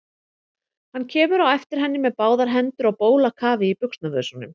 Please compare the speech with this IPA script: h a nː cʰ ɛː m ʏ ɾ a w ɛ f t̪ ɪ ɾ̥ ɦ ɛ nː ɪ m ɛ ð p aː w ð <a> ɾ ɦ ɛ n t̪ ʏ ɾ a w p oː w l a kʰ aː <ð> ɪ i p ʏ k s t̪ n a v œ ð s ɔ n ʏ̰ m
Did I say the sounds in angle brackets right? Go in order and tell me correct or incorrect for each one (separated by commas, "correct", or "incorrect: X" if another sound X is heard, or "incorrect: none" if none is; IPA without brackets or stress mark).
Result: correct, incorrect: v